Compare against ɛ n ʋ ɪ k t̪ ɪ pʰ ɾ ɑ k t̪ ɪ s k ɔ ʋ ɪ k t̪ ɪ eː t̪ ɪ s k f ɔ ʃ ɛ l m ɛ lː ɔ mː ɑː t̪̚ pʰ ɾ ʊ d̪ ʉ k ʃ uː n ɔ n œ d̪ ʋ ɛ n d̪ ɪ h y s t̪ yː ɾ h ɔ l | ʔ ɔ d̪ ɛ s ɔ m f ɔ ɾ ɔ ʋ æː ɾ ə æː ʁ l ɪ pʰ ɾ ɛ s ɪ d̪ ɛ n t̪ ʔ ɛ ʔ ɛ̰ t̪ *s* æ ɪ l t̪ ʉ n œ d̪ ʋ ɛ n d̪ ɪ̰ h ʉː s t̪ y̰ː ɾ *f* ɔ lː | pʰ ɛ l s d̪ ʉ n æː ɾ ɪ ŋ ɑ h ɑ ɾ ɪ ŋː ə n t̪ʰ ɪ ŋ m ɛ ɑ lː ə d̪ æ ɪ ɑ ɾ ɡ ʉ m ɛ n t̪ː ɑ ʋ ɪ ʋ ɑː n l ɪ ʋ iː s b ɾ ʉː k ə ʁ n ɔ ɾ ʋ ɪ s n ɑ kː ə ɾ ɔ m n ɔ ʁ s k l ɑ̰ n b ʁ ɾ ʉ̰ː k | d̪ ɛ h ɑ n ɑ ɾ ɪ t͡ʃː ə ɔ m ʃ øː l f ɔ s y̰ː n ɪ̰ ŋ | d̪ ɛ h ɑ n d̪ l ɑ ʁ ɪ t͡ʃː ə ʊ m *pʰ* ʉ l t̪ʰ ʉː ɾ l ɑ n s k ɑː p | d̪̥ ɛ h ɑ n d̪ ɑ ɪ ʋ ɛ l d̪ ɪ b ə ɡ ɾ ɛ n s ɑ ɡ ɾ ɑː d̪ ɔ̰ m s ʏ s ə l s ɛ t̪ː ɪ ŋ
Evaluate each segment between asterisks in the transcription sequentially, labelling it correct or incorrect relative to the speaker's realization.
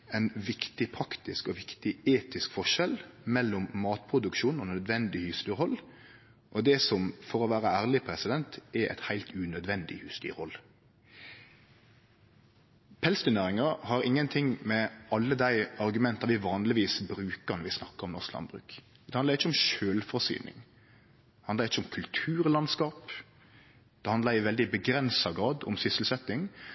incorrect: h, incorrect: h, incorrect: kʰ

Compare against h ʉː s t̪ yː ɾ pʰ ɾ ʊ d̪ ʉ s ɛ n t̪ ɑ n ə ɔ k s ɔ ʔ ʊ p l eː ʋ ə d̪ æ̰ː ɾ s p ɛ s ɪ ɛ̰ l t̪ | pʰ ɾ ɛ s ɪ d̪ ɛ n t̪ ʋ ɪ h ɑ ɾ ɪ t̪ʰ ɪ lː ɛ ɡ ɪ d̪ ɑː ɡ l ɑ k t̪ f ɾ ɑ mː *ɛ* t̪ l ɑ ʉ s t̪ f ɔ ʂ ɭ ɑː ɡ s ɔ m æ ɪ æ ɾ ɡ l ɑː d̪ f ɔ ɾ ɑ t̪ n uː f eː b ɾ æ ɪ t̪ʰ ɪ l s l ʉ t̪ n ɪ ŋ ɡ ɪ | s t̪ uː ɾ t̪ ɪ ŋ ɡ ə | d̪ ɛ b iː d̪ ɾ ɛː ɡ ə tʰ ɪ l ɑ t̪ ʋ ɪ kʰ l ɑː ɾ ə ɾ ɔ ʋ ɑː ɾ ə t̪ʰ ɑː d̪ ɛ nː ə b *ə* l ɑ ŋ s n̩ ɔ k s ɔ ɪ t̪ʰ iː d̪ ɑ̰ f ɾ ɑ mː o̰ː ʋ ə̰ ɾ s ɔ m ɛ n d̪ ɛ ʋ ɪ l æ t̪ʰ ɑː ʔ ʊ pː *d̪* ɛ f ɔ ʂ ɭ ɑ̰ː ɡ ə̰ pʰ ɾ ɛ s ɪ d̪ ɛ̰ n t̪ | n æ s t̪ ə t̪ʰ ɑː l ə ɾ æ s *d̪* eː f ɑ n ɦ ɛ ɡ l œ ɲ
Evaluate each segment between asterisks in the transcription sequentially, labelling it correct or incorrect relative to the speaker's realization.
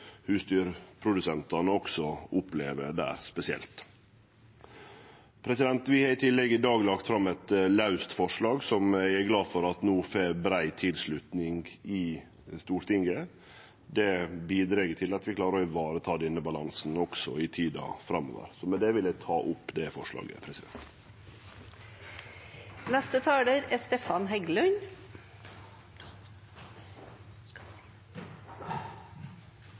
correct, incorrect: ɑ, correct, incorrect: t̪

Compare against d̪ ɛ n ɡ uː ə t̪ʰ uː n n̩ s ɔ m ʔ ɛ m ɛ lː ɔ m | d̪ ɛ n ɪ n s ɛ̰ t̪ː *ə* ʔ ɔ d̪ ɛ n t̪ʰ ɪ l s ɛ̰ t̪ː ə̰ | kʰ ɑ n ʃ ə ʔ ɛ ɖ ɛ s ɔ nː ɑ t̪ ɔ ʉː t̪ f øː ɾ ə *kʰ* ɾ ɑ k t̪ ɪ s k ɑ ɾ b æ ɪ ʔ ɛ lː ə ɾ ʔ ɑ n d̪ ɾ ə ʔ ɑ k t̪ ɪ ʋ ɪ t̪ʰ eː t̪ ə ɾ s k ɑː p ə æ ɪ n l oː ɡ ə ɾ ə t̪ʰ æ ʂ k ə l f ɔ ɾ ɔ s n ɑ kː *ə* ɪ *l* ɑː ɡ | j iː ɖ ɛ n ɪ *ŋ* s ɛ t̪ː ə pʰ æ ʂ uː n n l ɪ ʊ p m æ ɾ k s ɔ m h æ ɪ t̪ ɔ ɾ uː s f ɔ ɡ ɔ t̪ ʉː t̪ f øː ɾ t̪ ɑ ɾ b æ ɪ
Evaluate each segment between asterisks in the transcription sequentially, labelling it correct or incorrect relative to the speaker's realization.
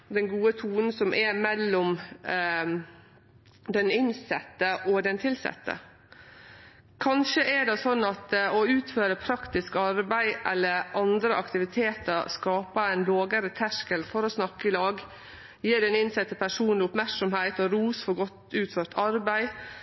correct, incorrect: pʰ, correct, correct, incorrect: n

